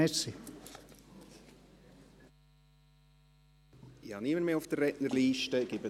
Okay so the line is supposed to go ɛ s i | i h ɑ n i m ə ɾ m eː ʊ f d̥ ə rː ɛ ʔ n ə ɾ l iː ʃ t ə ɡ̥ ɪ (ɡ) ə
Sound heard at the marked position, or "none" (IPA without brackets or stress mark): b